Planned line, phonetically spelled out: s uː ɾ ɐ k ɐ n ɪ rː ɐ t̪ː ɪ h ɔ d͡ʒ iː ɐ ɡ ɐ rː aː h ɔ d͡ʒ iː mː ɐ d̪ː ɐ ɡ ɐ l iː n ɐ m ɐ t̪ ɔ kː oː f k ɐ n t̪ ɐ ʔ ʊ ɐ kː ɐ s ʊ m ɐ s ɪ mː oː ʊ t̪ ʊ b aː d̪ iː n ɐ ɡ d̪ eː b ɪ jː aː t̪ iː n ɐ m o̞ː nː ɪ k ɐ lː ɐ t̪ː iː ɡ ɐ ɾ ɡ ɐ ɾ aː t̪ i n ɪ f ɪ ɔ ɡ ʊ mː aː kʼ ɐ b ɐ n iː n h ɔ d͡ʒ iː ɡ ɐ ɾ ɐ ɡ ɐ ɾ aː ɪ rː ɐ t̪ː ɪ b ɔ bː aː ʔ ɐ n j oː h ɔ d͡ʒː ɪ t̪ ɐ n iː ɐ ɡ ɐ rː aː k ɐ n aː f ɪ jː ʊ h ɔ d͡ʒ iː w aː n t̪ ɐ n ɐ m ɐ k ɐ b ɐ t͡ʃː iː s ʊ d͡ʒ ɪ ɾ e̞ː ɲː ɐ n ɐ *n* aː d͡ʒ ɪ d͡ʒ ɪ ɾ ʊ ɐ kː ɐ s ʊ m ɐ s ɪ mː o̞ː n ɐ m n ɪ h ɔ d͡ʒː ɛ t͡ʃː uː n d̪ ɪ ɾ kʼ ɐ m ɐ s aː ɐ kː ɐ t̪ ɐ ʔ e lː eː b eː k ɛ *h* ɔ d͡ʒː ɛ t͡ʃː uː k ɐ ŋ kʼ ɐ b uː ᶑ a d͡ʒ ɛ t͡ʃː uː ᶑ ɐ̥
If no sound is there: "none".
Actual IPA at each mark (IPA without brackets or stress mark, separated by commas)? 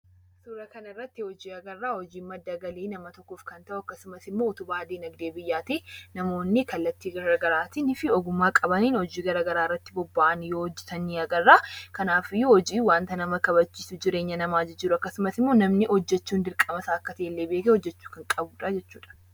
m, h